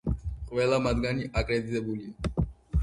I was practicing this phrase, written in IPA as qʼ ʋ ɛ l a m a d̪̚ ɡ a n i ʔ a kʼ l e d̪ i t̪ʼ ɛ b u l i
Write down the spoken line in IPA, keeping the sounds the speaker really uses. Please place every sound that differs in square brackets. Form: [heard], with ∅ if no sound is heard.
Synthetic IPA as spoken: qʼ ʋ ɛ l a m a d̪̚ ɡ a n i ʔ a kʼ [ɾ] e d̪ i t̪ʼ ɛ b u l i